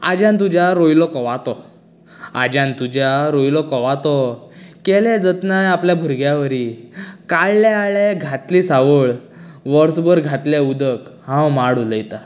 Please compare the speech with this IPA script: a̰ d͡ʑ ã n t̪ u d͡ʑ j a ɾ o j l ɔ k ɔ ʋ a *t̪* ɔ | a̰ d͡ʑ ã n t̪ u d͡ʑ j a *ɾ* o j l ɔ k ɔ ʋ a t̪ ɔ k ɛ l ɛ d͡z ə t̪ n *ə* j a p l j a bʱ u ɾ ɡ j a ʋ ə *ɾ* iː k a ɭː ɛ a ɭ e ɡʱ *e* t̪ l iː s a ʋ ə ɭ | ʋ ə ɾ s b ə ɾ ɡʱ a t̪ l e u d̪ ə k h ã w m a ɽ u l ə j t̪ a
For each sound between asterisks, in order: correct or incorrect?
correct, correct, incorrect: a, correct, incorrect: a

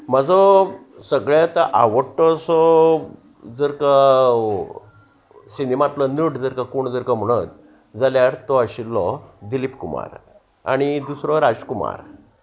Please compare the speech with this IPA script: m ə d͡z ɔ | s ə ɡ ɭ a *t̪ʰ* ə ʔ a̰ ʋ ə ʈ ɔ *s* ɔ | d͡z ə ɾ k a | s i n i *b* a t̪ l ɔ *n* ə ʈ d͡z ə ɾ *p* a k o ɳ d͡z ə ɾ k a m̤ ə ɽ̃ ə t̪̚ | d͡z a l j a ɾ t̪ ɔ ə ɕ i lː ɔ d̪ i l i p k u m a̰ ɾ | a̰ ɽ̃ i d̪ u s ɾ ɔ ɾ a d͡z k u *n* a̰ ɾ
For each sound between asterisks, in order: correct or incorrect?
incorrect: t̪, correct, incorrect: m, correct, incorrect: k, incorrect: m

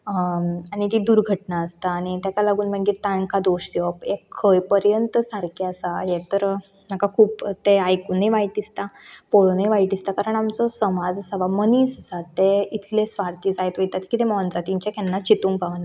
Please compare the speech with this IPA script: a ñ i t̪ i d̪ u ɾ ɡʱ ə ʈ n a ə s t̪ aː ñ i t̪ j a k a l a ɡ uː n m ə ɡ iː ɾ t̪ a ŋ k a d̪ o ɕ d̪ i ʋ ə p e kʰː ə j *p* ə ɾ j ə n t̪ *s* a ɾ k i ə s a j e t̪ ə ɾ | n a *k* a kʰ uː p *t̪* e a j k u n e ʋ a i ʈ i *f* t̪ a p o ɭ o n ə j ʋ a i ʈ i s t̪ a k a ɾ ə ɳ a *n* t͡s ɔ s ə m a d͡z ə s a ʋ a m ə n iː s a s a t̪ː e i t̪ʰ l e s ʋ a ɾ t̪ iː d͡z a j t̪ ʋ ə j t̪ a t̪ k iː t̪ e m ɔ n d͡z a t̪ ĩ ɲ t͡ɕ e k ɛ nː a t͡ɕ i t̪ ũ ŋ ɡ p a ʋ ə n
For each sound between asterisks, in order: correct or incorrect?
correct, correct, correct, correct, incorrect: s, incorrect: m

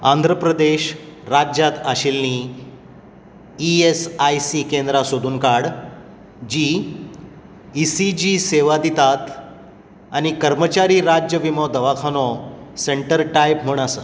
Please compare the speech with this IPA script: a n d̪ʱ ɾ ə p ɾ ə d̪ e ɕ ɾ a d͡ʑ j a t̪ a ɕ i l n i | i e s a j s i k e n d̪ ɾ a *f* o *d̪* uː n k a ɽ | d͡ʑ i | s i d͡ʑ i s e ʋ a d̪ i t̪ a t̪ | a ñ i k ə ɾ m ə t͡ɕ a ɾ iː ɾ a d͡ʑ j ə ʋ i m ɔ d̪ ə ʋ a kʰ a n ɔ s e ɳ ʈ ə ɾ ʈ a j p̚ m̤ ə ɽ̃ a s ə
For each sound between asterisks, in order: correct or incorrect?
incorrect: s, correct

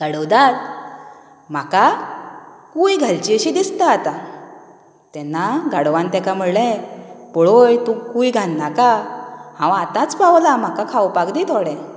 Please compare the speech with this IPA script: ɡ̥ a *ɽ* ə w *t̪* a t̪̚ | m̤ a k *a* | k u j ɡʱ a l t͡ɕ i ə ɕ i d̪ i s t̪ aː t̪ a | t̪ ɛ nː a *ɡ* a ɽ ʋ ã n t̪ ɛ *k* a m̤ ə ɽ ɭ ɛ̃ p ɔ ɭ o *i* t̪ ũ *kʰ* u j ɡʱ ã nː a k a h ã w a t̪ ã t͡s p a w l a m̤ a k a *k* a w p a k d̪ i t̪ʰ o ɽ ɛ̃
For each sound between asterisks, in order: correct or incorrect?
correct, incorrect: d̪, correct, correct, correct, incorrect: j, incorrect: k, incorrect: kʰ

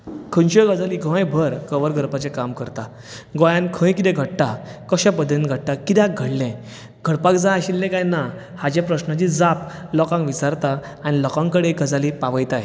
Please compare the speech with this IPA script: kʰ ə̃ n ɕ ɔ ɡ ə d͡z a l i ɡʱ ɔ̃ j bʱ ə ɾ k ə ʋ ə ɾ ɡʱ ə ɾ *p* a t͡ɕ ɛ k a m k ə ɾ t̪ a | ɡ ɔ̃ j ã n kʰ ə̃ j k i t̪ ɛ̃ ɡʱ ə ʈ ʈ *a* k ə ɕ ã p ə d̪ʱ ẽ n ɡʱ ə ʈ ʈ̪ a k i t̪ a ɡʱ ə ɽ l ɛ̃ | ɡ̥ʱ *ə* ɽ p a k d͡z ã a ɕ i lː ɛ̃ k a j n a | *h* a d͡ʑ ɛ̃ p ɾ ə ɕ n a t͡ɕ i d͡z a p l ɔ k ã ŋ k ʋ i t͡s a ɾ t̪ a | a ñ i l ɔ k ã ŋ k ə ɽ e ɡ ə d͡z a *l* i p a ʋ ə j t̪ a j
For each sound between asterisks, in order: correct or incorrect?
correct, correct, correct, correct, correct

